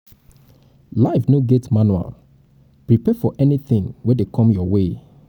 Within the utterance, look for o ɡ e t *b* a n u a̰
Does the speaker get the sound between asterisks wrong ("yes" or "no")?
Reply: yes